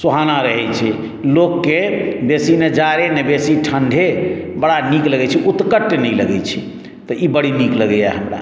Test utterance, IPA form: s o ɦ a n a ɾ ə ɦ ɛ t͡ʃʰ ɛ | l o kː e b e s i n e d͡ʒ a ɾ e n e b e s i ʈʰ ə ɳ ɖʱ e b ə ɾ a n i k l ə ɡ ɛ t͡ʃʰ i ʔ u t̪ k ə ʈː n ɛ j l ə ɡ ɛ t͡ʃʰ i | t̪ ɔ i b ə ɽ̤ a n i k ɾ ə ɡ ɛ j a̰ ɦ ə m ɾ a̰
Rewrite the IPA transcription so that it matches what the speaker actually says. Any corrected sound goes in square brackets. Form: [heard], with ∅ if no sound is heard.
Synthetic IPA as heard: s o ɦ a n a ɾ ə ɦ ɛ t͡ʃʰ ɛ | l o kː e b e s i n e d͡ʒ a ɾ e n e b e s i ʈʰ ə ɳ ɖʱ e b ə [ɽ] a n i k l ə ɡ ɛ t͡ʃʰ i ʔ u t̪ k ə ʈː n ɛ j l ə ɡ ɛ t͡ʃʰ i | t̪ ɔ i b ə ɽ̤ [i] n i k [l] ə ɡ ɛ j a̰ ɦ ə m ɾ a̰